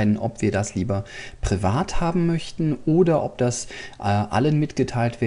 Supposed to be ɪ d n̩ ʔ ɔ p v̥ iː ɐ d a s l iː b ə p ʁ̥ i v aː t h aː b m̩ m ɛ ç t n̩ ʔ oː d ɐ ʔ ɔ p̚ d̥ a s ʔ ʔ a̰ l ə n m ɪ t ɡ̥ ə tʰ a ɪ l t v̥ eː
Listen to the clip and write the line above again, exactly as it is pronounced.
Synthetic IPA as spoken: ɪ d n̩ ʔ ɔ p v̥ iː ɐ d a s l iː b ɐ p ʁ̥ i v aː t h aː b m̩ m œ ç t n̩ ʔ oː d ɐ ʔ ɔ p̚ d̥ a s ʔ ʔ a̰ l ə n m ɪ t ɡ̥ ə tʰ a ɪ l t v̥ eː